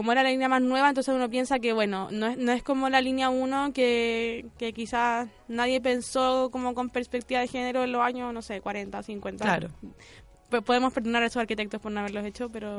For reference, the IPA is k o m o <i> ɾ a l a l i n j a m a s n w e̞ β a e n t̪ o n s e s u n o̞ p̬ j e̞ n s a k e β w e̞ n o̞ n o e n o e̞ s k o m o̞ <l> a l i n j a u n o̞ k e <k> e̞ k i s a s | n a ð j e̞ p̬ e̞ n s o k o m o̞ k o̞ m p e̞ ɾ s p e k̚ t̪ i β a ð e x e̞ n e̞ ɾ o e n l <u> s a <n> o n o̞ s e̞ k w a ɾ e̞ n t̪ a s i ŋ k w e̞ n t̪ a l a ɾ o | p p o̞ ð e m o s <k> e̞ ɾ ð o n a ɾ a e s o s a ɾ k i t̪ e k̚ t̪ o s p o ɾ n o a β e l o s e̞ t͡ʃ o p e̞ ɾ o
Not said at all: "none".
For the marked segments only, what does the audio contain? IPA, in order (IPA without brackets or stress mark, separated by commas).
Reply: e, l, k, o, ɲ, p